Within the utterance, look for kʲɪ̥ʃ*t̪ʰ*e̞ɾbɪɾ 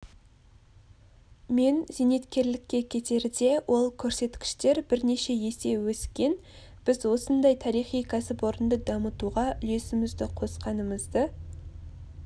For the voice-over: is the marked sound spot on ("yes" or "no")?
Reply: no